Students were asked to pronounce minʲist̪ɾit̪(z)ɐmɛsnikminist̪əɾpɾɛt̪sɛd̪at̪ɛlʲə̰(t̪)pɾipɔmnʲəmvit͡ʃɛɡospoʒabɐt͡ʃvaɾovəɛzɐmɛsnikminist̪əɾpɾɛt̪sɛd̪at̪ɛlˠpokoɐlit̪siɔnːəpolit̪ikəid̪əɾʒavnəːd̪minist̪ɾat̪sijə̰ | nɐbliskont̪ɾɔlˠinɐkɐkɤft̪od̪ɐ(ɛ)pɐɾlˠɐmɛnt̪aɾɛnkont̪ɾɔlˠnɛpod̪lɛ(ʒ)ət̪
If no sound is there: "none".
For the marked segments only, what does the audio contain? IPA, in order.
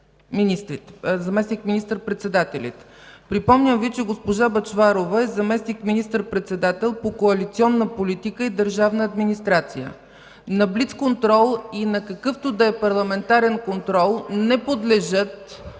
z, t̪, ɛ, ʒ

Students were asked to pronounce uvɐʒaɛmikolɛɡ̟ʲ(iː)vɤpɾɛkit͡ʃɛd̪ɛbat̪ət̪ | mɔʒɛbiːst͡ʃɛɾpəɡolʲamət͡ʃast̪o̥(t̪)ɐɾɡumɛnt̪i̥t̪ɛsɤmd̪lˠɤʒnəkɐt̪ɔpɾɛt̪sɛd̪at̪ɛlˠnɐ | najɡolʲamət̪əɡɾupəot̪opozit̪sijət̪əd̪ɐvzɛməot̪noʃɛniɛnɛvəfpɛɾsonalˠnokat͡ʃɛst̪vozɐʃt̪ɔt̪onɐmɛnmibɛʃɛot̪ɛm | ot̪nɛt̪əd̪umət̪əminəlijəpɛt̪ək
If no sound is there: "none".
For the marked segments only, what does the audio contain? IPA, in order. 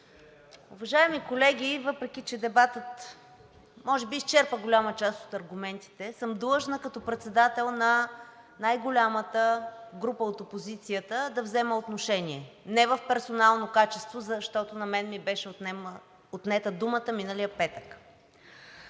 i, t̪

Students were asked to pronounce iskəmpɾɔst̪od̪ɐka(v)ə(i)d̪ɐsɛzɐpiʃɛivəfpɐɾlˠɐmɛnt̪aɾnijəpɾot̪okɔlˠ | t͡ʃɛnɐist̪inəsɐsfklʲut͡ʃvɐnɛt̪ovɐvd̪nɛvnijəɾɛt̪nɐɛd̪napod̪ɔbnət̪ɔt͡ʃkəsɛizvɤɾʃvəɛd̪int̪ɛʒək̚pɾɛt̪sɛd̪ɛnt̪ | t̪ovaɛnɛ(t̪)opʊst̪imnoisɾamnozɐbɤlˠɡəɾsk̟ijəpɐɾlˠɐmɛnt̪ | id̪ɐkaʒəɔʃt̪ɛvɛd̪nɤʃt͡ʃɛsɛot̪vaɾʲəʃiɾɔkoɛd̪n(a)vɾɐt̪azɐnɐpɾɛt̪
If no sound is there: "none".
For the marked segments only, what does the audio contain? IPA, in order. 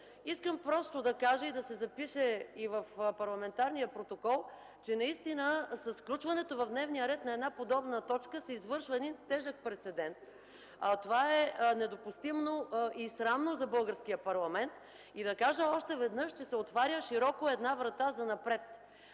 ʒ, i, d̪, a

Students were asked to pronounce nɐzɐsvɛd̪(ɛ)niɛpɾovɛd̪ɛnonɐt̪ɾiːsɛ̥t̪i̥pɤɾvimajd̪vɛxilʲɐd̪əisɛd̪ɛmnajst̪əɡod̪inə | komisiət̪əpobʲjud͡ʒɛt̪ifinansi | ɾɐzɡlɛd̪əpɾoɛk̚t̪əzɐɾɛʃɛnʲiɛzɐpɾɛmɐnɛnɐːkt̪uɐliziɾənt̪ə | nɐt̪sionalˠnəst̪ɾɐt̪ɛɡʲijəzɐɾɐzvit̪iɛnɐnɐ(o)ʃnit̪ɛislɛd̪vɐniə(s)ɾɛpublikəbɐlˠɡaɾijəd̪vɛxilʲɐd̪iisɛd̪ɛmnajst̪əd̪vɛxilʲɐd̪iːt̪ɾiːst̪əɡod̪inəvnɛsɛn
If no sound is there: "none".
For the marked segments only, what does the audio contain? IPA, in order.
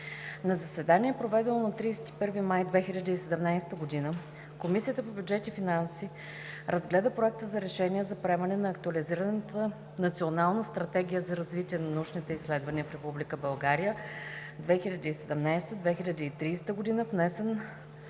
a, u, f

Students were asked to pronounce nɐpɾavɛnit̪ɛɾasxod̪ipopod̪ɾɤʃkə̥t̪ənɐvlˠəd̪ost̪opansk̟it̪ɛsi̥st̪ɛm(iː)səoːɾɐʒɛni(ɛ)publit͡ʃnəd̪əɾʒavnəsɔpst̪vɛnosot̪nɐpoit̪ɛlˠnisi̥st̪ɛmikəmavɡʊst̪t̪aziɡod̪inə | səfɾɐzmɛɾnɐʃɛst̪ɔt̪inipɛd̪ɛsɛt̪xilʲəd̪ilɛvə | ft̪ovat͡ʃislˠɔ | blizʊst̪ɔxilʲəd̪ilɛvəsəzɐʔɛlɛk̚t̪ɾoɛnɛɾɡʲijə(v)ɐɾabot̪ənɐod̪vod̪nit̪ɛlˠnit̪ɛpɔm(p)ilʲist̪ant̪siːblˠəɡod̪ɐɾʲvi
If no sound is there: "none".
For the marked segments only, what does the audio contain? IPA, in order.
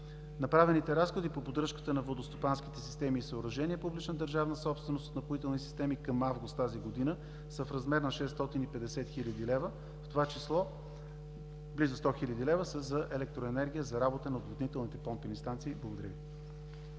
iː, ɛ, z, p

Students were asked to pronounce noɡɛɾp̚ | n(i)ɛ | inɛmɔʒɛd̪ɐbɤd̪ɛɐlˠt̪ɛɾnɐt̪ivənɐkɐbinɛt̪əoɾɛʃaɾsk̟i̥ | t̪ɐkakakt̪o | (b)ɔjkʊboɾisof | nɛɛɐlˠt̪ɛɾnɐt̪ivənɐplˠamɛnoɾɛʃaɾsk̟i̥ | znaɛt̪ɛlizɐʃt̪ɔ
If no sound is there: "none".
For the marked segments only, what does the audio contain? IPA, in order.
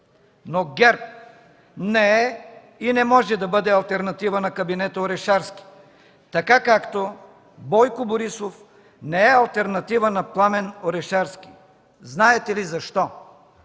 ɛ, b

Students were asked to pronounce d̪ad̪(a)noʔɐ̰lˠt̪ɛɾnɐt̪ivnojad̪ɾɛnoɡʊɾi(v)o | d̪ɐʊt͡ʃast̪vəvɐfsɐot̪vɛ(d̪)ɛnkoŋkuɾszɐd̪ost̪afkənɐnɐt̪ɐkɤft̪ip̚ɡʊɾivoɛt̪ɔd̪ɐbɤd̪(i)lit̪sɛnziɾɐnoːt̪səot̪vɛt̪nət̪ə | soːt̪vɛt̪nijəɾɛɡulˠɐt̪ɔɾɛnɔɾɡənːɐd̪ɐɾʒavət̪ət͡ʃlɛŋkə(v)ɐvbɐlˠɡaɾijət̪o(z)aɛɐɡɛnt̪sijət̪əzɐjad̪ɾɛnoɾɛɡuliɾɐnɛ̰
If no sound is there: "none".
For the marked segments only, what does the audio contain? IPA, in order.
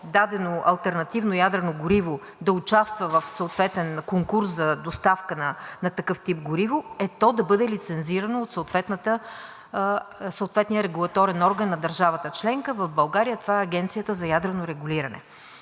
ɛ, v, t̪, ɛ, v, v

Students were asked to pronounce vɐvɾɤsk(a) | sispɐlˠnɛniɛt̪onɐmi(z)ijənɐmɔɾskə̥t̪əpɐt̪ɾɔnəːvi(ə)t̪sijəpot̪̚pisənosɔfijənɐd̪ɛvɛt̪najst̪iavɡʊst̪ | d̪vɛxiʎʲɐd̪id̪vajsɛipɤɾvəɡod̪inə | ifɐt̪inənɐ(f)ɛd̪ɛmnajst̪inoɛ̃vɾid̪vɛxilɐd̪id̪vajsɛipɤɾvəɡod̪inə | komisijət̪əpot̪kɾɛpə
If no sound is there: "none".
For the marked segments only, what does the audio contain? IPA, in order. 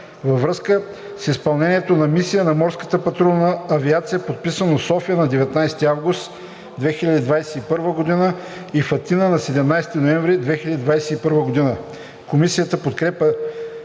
ə, s, a, s

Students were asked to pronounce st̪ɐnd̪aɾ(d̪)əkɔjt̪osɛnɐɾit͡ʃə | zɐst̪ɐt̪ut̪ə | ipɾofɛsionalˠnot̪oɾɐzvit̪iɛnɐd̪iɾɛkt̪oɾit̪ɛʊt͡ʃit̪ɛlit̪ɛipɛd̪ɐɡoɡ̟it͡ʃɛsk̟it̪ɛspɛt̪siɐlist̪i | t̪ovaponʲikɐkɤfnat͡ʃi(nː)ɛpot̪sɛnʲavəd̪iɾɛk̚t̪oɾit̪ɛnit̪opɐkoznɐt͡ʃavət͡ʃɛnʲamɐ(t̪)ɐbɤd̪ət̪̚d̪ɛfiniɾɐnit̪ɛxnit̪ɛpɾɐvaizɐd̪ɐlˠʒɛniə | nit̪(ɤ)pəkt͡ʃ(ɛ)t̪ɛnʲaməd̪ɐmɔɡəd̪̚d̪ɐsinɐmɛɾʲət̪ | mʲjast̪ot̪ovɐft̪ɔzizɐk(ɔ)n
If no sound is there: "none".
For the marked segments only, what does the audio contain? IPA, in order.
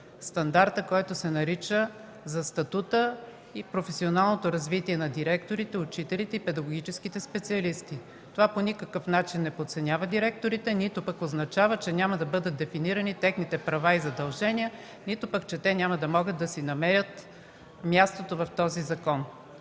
t̪, nː, d̪, o, ɛ, ɔ

